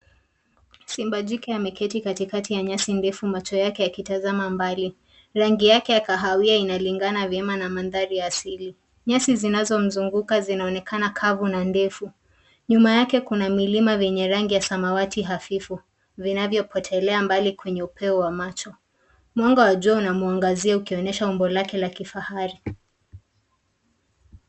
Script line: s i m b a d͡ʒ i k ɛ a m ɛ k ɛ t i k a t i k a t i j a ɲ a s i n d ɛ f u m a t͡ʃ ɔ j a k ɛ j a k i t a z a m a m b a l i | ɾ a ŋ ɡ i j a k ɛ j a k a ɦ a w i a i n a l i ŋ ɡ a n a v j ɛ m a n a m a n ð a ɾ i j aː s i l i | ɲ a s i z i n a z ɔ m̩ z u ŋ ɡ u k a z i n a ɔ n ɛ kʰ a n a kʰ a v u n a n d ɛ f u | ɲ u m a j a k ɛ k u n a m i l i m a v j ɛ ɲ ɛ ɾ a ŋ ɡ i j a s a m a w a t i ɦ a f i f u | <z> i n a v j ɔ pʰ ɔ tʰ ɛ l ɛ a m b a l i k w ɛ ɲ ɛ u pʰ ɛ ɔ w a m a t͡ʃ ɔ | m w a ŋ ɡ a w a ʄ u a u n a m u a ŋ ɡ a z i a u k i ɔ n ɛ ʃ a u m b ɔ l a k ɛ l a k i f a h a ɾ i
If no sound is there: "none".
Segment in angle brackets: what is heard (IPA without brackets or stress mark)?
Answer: v